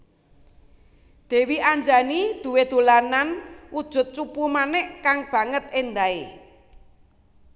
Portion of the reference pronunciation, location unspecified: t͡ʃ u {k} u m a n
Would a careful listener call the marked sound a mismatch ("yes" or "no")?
yes